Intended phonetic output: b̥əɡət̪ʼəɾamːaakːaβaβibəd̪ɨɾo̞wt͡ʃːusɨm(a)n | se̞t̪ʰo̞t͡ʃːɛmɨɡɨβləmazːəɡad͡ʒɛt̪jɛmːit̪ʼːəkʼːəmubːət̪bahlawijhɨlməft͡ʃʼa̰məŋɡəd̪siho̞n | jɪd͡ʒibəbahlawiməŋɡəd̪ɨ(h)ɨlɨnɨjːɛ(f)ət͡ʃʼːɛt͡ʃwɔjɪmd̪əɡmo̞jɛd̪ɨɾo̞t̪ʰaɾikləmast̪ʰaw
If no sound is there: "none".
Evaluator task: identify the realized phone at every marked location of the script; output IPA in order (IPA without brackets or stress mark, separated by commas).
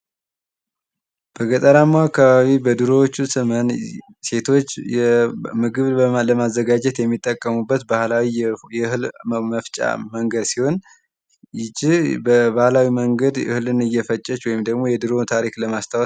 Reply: ə, h, f